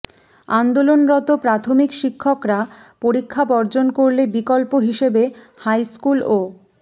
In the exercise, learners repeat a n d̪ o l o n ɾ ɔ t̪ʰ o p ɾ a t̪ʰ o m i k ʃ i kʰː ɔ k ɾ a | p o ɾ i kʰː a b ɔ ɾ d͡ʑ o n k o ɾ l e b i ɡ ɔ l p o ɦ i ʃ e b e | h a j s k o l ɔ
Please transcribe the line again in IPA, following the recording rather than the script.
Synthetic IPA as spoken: a n d̪ o l o n ɾ ɔ t̪ o p ɾ a t̪ʰ o m i k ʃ i kʰː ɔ k ɾ a | p o ɾ i kʰː a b ɔ ɾ d͡ʑ o n k o ɾ l e b i k ɔ l p o ɦ i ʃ e b e | h a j s k u l o